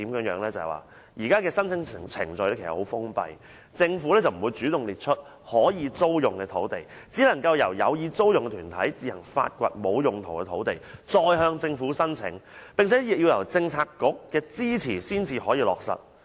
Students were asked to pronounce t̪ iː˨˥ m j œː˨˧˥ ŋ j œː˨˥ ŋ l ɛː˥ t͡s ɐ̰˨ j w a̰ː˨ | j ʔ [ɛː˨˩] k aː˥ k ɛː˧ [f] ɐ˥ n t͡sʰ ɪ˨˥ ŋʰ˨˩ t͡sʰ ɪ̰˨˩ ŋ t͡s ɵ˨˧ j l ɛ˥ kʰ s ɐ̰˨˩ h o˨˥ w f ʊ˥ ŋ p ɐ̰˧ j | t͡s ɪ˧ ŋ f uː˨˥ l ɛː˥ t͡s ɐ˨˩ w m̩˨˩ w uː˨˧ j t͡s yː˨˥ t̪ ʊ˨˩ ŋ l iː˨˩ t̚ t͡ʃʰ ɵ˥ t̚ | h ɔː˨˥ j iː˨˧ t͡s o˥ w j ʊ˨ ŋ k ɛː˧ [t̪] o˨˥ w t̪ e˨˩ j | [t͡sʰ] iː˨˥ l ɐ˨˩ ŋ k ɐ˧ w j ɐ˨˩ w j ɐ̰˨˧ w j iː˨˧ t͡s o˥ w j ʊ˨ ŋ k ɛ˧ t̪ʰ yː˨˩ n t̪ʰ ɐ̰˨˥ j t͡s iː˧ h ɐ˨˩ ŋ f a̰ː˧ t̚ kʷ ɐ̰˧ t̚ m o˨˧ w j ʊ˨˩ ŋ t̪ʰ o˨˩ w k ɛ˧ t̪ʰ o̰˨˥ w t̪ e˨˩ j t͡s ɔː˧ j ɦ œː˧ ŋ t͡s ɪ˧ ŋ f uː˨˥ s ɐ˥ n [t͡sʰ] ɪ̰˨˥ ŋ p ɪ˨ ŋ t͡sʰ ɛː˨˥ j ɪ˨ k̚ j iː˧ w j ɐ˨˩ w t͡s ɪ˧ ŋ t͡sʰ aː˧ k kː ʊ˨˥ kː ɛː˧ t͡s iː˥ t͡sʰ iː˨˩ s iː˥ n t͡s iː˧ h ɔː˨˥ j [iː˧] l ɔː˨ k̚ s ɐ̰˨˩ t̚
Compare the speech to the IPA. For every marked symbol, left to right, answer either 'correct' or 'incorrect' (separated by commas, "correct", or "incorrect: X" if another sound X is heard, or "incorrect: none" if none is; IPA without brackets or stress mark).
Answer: incorrect: iː˨˩, incorrect: s, incorrect: t̪ʰ, incorrect: t͡s, correct, correct